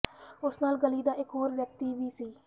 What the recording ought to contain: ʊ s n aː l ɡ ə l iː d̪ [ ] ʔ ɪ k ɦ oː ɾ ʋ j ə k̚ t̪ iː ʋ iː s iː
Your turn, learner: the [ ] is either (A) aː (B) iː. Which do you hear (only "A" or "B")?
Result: A